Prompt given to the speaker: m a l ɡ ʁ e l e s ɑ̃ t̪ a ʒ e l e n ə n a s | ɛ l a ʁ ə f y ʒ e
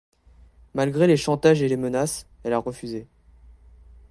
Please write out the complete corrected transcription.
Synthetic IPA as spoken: m a l ɡ ʁ e l e ʃ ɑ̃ t̪ a ʒ e l e m ə n a s | ɛ l a ʁ ə f y z e